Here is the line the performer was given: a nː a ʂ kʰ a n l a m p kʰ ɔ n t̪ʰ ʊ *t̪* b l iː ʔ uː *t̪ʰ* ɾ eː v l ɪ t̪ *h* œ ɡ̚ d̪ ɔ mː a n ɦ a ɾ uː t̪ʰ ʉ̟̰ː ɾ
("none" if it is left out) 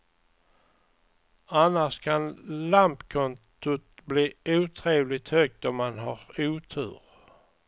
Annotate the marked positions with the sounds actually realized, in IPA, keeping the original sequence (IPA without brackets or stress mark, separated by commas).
t̪, t̪ʰ, h